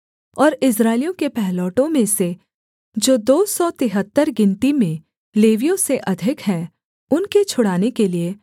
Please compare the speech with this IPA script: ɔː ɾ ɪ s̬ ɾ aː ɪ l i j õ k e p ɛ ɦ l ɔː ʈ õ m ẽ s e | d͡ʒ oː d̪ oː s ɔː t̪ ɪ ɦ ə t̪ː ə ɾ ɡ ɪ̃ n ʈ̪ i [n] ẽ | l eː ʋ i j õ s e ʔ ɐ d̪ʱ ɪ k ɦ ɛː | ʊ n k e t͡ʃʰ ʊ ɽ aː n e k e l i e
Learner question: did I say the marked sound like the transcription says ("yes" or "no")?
no